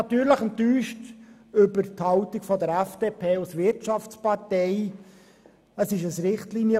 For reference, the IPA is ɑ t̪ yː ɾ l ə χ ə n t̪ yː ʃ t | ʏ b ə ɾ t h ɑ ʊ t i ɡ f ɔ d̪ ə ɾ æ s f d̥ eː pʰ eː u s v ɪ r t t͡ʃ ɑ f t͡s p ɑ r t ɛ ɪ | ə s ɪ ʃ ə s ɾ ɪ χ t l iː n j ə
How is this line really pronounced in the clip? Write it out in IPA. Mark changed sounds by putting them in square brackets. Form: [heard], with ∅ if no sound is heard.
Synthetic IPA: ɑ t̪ yː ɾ l ə χ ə n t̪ yː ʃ t | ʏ b ə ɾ t h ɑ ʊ t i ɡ f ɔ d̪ ə ɾ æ [∅] f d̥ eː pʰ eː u s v ɪ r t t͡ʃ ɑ f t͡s p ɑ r t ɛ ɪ | ə s ɪ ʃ ə s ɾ ɪ χ t l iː n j ə